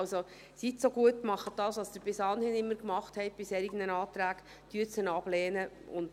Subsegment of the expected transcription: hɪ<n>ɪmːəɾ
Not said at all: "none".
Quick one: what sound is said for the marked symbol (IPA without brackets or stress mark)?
n